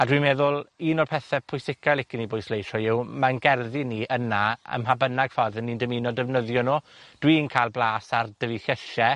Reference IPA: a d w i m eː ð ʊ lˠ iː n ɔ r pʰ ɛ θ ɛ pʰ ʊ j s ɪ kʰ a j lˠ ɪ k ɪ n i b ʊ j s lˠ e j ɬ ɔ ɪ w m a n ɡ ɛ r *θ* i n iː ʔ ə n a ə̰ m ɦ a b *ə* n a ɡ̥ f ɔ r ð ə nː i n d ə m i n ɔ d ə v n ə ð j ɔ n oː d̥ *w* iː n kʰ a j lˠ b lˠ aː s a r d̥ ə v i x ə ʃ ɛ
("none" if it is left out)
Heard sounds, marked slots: ð, ə, w

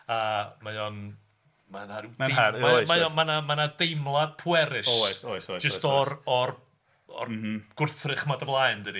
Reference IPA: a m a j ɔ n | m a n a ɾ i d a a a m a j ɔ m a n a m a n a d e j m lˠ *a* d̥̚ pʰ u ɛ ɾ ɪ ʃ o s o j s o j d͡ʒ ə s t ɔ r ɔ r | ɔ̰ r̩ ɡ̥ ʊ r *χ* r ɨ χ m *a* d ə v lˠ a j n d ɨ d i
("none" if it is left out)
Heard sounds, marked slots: a, θ, a

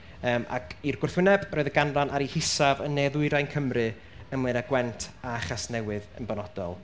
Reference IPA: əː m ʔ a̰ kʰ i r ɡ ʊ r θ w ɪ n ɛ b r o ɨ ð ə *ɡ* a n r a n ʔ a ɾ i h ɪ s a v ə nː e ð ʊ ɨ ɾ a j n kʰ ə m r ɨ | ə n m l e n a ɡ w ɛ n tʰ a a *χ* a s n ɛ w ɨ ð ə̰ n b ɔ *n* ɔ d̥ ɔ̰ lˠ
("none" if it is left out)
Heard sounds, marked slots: ɡ, χ, n

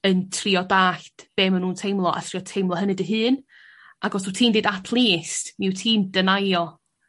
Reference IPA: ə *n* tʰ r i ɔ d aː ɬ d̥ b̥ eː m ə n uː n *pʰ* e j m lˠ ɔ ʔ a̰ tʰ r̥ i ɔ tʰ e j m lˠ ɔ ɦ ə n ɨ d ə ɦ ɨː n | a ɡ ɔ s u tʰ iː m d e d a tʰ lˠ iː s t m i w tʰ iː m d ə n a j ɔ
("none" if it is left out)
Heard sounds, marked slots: n, tʰ

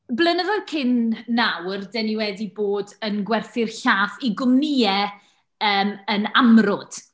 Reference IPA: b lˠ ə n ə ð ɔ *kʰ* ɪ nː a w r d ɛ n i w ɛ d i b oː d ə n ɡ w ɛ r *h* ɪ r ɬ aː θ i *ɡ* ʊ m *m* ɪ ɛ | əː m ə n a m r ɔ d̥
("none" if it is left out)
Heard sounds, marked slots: kʰ, θ, ɡ, n

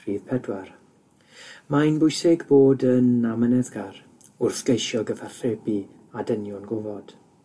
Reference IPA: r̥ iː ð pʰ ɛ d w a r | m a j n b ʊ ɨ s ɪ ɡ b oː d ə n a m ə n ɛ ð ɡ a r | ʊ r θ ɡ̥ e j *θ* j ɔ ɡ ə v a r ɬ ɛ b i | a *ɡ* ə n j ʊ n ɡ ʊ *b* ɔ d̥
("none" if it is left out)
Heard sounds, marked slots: ʃ, d, v

